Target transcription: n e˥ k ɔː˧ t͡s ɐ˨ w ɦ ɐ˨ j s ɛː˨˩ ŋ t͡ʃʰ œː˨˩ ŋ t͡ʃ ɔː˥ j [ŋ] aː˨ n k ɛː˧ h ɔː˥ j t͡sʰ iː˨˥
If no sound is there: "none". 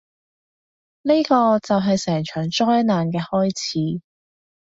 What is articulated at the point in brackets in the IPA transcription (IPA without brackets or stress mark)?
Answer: n